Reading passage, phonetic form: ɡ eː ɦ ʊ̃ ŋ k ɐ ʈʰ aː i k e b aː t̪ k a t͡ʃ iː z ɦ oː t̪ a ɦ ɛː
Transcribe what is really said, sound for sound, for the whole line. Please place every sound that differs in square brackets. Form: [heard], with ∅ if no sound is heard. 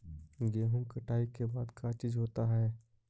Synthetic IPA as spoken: ɡ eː ɦ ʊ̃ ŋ k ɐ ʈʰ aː i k e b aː [d̪] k a t͡ʃ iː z ɦ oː t̪ a ɦ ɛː